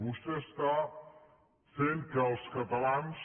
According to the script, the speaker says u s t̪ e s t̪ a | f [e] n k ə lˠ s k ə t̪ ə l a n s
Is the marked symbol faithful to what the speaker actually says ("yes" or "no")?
yes